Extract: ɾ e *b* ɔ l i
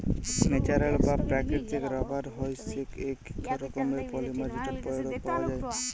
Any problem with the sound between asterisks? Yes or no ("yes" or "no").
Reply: yes